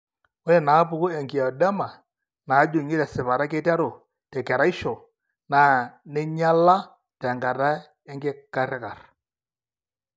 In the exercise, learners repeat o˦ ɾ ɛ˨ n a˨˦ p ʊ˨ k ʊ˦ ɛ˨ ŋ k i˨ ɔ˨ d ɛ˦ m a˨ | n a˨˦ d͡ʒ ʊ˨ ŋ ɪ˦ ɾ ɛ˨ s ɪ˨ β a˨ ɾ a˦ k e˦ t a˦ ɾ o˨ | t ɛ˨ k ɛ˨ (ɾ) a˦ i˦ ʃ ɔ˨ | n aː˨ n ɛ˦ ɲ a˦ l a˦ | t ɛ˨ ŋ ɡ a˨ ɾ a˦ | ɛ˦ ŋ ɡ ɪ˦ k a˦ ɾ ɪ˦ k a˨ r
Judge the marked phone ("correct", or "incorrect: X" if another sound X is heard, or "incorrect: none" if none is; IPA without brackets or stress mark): correct